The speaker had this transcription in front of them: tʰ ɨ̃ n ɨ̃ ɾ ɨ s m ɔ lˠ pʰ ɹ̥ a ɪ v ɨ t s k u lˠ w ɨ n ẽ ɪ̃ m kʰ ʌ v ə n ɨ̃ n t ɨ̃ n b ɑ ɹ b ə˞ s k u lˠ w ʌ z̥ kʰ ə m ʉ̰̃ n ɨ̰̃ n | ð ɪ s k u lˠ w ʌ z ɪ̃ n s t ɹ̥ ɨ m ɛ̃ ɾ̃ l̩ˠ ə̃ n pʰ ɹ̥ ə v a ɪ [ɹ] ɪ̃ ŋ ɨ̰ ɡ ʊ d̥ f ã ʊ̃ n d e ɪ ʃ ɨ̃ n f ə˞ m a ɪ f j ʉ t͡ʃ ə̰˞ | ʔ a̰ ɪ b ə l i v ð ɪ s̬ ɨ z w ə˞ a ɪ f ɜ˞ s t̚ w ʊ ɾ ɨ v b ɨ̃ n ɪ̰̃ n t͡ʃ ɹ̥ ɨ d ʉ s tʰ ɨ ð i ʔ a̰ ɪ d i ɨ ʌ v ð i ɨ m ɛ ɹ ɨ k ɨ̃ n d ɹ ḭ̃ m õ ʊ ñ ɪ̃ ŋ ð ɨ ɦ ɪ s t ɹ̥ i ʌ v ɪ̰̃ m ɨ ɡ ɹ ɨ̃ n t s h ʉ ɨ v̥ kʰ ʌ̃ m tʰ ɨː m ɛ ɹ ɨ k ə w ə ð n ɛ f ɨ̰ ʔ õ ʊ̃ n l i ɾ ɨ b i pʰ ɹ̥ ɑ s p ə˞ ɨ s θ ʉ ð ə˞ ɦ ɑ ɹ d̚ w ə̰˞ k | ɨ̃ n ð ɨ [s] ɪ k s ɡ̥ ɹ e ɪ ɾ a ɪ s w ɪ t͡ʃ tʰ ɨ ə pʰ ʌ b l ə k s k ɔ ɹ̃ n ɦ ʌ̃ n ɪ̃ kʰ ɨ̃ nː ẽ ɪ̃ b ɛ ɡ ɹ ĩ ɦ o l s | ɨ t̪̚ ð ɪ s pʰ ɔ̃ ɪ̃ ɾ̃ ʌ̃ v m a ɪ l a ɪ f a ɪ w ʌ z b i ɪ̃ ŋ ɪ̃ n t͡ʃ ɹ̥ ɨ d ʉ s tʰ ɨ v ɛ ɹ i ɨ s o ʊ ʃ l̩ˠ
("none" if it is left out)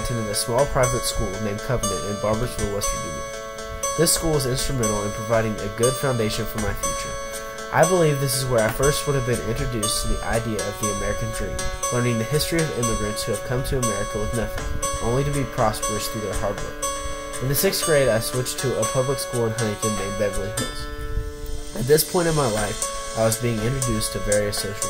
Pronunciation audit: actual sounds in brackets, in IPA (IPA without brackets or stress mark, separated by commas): ɾ, s